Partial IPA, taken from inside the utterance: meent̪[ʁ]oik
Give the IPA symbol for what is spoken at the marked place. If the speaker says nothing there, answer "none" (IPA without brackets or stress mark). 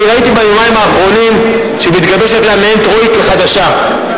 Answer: ʁ